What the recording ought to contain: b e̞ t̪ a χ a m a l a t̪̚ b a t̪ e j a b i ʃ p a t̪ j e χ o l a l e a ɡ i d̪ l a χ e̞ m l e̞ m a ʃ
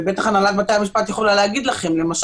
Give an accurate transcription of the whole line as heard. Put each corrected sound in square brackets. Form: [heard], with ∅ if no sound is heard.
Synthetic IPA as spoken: b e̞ t̪ a χ a [n] a l a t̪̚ b a t̪ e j a [m] i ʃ p a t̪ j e χ o l a l e a ɡ i d̪ l a χ e̞ m l e̞ m a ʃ

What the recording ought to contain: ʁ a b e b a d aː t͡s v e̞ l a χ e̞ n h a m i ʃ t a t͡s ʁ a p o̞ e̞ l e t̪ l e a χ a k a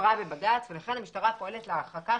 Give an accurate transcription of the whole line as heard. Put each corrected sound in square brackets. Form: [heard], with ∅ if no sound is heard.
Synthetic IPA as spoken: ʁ a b e b a d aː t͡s v e̞ l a χ e̞ n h a m i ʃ t a [∅] ʁ a p o̞ e̞ l e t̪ l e a χ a k a

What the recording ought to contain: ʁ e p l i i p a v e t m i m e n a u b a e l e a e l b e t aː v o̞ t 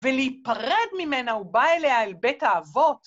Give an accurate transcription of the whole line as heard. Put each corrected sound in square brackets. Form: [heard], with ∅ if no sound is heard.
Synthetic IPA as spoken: [v] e [∅] l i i p a [ʁ] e [d] m i m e n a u b a e l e a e l b e t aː v o̞ t

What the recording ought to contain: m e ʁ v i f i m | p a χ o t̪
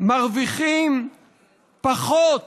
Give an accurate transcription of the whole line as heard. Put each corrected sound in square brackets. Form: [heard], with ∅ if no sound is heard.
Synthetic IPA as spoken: m [a] ʁ v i [χ] i m | p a χ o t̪

